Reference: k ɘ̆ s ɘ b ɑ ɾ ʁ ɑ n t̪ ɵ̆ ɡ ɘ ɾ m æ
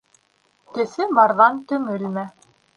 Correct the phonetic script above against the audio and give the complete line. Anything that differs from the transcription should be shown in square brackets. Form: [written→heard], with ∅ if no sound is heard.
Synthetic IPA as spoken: k ɘ̆ s ɘ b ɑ ɾ [ʁ→ð] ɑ n t̪ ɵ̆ [ɡ→ŋ] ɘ [ɾ→l] m æ